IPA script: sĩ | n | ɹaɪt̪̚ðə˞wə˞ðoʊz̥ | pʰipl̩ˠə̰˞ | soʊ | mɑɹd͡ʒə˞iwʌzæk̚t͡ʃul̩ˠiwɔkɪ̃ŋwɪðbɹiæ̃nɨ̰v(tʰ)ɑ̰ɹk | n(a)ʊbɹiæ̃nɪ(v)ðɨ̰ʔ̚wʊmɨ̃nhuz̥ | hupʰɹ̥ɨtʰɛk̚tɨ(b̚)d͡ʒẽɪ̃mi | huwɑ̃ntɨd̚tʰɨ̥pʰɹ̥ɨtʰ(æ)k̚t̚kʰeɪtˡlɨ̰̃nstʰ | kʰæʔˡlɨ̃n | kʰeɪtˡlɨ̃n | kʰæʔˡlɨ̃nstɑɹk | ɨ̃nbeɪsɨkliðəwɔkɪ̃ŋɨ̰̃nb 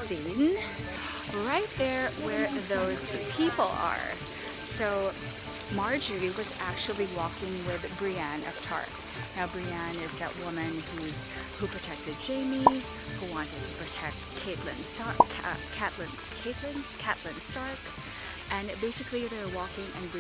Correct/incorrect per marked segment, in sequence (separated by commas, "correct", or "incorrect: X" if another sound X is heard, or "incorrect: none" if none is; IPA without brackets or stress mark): correct, correct, incorrect: z, incorrect: d̚, incorrect: ɛ